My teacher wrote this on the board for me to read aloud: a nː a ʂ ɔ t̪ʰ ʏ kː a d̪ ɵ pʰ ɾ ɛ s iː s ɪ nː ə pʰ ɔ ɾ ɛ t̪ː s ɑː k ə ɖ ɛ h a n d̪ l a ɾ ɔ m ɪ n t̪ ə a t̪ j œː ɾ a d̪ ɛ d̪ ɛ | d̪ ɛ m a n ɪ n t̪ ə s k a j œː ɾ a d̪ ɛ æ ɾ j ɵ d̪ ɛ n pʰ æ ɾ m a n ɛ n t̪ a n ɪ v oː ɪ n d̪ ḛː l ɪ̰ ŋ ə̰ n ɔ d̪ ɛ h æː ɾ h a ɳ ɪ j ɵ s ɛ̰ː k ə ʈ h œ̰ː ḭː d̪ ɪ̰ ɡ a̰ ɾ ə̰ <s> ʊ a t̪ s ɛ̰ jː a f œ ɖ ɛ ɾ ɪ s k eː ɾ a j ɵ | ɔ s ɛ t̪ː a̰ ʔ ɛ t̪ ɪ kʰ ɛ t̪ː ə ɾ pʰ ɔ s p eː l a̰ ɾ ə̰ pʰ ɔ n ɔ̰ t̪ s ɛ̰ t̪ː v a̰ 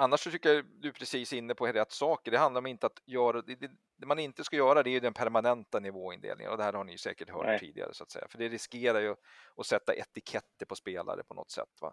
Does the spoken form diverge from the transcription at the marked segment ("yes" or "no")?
no